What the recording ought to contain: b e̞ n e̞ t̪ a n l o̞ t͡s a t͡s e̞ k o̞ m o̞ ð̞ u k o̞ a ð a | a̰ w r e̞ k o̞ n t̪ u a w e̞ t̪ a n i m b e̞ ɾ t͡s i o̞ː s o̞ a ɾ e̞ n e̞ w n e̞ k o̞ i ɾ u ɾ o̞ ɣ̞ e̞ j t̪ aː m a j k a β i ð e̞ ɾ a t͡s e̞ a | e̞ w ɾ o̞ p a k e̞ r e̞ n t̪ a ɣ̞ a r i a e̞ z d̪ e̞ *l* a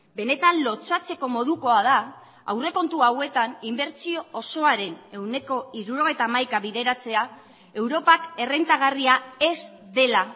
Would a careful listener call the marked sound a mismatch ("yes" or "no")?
no